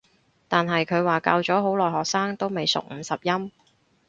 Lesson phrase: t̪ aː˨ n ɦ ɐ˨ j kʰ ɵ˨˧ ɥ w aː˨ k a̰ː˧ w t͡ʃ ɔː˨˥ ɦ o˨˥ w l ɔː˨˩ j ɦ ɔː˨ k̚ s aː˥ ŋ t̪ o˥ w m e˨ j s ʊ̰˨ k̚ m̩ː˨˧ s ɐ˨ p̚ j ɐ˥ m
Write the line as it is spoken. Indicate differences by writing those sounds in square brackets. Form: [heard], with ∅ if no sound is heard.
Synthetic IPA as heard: t̪ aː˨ n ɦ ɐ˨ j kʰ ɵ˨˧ ɥ w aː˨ k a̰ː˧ w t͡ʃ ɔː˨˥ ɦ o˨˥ w l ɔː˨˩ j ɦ ɔː˨ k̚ s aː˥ ŋ t̪ o˥ w m e˨ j s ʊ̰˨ k̚ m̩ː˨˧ s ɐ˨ p̚ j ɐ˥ m